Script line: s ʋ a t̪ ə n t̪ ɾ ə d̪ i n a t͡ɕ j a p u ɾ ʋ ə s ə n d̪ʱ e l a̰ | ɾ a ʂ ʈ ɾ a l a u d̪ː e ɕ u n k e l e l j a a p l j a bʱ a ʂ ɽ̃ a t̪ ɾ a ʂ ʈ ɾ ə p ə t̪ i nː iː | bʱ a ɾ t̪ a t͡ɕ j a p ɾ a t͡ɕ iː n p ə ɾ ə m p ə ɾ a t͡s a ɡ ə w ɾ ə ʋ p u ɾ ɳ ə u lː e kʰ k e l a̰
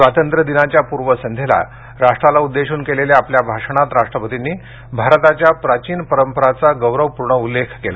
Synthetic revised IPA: s ʋ a t̪ ə n t̪ ɾ ə d̪ i n a t͡ɕ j a p u ɾ ʋ ə s ə n d̪ʱ e l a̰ | ɾ a ʂ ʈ ɾ a l a u d̪ː e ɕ uː n k e l e l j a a p l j a bʱ a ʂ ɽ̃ a t̪ ɾ a ʂ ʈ ɾ ə p ə t̪ i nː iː | bʱ a ɾ t̪ a t͡ɕ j a p ɾ a t͡ɕ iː n p ə ɾ ə m p ə ɾ a t͡s a ɡ ə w ɾ ə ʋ p u ɾ ɳ ə u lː e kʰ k e l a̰